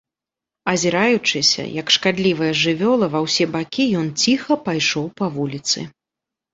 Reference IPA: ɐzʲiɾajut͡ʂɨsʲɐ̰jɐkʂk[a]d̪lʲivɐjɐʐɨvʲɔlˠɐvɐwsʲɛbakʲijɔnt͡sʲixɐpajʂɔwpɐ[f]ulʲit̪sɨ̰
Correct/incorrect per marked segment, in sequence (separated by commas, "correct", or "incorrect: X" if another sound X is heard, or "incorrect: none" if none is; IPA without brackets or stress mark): correct, incorrect: v